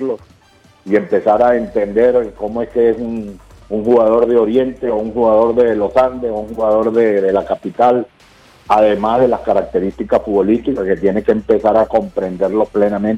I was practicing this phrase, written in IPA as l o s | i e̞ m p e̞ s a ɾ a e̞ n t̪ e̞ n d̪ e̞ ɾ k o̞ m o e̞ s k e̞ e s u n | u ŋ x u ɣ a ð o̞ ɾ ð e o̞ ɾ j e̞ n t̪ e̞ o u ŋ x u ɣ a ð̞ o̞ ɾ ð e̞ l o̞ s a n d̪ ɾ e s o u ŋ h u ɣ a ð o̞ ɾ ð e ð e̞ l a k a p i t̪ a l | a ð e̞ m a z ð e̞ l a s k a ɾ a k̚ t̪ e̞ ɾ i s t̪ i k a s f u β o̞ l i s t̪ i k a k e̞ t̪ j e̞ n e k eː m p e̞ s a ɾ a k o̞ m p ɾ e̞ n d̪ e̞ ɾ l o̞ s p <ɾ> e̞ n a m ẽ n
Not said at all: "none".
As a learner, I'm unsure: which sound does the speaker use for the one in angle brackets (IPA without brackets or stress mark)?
l